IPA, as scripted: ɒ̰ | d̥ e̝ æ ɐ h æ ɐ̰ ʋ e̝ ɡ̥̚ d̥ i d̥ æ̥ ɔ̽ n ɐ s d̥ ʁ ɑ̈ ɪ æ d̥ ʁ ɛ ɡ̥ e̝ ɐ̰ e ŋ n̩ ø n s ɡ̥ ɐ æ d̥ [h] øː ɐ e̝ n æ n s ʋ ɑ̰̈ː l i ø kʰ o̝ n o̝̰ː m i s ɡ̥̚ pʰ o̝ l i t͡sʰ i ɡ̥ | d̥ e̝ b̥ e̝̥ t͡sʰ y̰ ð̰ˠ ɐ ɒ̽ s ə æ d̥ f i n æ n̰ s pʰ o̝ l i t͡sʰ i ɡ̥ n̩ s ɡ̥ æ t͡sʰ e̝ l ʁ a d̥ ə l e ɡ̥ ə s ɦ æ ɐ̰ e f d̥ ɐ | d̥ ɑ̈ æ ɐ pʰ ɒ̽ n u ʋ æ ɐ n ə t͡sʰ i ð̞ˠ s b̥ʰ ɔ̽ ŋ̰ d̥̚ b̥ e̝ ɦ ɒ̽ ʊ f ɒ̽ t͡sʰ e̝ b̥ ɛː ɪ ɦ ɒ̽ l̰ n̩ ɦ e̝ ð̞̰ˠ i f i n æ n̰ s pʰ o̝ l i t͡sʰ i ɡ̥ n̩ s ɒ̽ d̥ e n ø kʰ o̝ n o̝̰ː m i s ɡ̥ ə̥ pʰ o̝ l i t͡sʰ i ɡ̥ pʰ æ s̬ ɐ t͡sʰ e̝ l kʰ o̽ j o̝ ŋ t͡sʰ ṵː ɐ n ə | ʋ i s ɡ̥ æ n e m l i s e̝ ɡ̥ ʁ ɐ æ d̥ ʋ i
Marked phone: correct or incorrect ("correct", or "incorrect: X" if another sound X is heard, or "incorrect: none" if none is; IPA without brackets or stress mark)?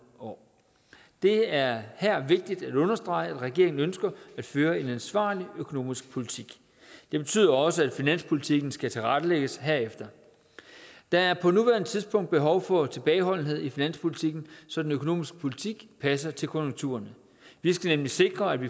incorrect: f